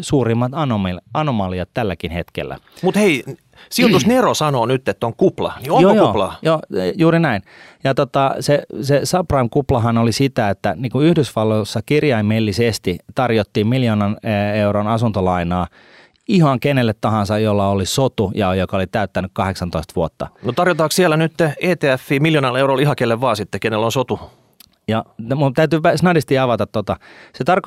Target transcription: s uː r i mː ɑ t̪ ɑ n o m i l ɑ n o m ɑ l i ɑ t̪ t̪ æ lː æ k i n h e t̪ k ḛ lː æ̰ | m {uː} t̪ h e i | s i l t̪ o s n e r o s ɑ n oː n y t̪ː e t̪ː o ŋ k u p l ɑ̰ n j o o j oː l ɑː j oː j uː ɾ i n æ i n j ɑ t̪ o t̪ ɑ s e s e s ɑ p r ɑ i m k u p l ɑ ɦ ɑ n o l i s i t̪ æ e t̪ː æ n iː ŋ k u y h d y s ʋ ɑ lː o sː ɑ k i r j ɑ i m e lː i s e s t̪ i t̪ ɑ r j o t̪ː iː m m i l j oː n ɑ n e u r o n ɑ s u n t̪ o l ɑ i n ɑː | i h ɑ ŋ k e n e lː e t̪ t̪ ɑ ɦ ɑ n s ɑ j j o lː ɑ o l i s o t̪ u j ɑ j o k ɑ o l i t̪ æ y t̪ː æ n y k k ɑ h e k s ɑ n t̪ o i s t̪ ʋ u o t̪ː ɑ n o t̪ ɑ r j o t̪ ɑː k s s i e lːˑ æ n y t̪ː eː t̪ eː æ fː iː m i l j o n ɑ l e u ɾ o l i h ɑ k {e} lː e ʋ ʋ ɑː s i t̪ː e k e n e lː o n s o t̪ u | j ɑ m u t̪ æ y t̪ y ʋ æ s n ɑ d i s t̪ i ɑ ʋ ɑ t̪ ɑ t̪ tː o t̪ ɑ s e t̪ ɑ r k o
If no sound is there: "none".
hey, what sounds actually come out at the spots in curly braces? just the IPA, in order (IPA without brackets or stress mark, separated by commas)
u, e